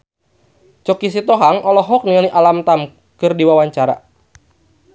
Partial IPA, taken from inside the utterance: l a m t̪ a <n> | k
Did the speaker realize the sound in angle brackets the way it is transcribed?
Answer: no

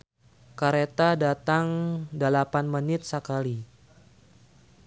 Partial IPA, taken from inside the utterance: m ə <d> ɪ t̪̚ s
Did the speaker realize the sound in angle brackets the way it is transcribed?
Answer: no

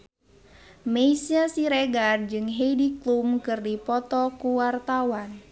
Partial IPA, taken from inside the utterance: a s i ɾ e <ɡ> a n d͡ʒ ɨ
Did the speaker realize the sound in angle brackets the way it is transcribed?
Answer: yes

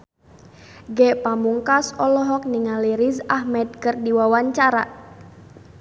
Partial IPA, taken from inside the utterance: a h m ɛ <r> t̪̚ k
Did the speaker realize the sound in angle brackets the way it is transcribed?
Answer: no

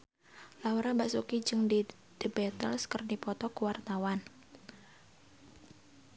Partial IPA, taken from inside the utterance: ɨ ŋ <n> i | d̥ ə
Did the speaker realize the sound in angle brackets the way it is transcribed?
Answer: no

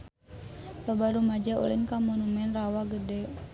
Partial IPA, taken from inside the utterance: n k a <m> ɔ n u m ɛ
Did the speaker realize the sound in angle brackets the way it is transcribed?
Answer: yes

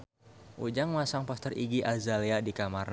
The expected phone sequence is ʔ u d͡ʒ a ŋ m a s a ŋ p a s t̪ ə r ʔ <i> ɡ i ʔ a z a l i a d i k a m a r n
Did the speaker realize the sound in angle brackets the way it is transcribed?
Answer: yes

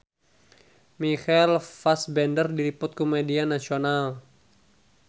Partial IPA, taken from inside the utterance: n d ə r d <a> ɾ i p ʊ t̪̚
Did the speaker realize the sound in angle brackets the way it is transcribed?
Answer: no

